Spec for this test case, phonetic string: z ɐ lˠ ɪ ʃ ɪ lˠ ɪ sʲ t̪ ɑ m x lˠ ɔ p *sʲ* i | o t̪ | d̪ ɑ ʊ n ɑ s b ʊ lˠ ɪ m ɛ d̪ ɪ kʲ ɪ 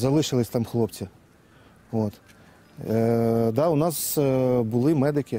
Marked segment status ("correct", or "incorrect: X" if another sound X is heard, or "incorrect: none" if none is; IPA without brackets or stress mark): incorrect: t͡sʲ